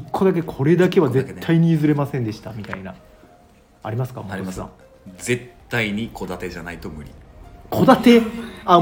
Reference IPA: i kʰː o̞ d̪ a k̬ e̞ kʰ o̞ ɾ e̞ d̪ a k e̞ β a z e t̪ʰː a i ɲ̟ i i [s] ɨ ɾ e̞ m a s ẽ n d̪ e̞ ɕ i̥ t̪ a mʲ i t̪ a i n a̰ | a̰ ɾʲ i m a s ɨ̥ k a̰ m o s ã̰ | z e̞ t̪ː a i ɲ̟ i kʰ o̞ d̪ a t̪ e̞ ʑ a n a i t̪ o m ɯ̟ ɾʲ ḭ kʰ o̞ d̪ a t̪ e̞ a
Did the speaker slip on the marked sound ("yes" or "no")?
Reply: yes